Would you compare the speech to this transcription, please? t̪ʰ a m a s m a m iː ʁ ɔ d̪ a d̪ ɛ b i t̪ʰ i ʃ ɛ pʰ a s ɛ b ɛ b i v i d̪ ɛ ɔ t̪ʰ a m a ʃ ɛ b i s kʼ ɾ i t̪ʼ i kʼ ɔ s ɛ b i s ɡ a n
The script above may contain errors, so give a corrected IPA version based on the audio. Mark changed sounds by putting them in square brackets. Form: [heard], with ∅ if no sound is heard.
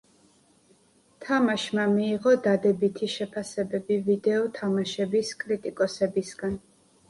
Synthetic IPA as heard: t̪ʰ a m a [ʃ] m a m iː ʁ ɔ d̪ a d̪ ɛ b i t̪ʰ i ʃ ɛ pʰ a s ɛ b ɛ b i v i d̪ ɛ ɔ t̪ʰ a m a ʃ ɛ b i s kʼ ɾ i t̪ʼ i kʼ ɔ s ɛ b i s ɡ a n